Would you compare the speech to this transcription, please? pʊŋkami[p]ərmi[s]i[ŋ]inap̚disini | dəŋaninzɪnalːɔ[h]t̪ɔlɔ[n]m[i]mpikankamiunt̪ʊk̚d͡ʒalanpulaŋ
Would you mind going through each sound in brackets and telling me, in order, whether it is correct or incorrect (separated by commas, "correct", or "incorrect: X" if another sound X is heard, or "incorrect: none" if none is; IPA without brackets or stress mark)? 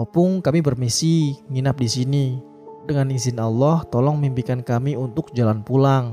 incorrect: b, correct, correct, correct, incorrect: ŋ, correct